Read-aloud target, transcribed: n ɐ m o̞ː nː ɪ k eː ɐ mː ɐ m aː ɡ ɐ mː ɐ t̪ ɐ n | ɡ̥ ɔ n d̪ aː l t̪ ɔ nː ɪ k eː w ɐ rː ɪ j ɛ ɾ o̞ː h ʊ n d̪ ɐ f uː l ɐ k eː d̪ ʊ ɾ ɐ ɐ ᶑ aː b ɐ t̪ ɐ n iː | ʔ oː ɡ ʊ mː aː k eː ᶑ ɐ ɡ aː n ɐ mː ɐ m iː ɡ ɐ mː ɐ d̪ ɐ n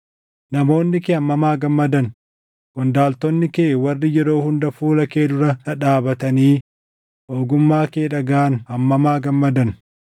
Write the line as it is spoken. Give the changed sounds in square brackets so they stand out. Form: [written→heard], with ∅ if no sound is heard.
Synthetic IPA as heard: n ɐ m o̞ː nː ɪ k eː ɐ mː ɐ m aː ɡ ɐ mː ɐ [t̪→d̪] ɐ n | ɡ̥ ɔ n d̪ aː l t̪ ɔ nː ɪ k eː w ɐ rː ɪ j ɛ ɾ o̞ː h ʊ n d̪ ɐ f uː l ɐ k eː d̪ ʊ ɾ ɐ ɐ ᶑ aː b ɐ t̪ ɐ n iː | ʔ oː ɡ ʊ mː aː k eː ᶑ ɐ ɡ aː n ɐ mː ɐ m [iː→aː] ɡ ɐ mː ɐ d̪ ɐ n